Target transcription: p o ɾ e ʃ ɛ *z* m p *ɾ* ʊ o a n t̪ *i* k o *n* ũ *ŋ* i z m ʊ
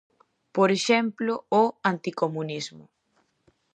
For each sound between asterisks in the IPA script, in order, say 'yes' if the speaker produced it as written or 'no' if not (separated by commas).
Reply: no, no, yes, no, no